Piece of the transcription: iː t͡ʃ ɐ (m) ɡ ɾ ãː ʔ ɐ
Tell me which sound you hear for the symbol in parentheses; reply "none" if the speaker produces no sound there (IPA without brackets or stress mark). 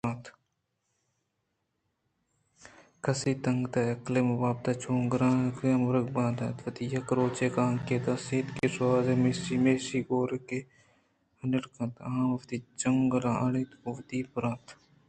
ŋ